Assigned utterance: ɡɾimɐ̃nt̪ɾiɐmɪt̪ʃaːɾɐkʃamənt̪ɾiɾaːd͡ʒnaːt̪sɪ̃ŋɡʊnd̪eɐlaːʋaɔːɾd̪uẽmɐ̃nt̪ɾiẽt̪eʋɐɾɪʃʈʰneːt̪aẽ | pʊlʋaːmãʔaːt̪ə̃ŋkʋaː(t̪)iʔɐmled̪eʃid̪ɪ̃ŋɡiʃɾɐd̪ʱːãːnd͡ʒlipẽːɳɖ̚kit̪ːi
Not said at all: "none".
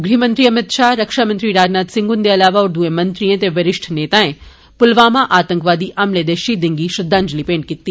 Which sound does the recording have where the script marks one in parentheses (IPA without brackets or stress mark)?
d̪